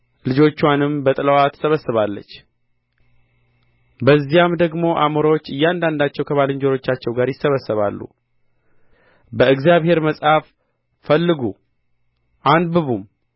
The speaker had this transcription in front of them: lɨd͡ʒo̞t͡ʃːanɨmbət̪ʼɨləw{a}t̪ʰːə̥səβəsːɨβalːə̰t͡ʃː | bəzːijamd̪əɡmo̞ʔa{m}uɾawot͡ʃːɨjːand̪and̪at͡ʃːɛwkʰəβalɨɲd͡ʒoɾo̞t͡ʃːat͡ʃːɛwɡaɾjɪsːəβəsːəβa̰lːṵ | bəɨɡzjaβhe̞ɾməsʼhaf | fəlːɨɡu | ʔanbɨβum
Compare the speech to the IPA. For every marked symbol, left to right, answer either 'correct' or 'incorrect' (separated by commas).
correct, correct